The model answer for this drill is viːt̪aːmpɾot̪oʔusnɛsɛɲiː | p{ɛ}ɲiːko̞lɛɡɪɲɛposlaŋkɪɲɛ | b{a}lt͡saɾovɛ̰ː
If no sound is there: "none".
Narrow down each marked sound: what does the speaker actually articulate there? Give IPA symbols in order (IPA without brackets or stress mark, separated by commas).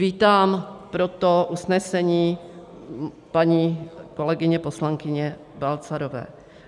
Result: a, a